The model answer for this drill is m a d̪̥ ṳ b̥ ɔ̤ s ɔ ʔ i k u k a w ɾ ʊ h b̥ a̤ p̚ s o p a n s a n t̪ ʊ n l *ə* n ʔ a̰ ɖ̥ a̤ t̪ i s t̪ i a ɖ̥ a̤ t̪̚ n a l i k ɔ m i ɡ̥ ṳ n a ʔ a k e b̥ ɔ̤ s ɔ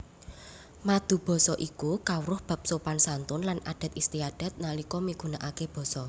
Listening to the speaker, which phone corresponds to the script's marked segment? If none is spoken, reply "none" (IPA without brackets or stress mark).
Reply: a